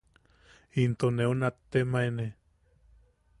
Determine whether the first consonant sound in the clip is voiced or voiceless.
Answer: voiced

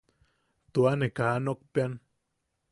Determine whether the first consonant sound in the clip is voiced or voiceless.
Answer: voiceless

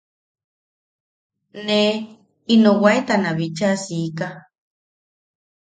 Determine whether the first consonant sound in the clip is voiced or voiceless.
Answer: voiced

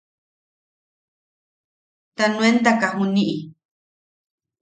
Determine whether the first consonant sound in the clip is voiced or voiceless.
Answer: voiceless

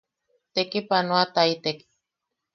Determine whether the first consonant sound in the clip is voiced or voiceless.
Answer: voiceless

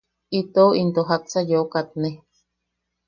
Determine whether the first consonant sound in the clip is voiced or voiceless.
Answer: voiceless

